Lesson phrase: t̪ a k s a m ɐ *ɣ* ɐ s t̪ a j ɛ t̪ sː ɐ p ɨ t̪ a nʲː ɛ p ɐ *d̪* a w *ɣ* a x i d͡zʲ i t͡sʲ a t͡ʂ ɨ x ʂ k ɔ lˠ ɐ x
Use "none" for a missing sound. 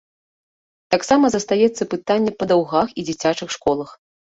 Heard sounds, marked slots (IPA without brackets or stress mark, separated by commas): z, d̪, ɣ